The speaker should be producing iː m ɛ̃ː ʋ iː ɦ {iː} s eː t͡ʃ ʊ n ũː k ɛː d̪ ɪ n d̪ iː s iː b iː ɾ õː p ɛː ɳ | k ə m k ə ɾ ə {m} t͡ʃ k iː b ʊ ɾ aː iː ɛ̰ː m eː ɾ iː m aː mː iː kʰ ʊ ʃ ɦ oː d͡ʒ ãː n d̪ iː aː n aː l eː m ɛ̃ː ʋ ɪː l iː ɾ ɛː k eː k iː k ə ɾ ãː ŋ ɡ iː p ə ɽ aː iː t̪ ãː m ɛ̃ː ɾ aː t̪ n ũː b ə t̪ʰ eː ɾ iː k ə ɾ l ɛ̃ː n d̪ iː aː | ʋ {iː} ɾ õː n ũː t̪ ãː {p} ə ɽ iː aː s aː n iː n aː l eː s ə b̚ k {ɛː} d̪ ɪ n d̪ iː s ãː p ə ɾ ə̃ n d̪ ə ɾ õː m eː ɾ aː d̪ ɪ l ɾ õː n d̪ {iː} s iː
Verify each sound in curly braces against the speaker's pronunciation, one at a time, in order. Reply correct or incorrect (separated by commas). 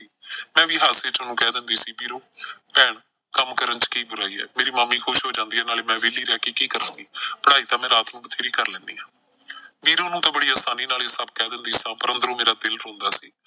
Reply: incorrect, incorrect, correct, incorrect, correct, incorrect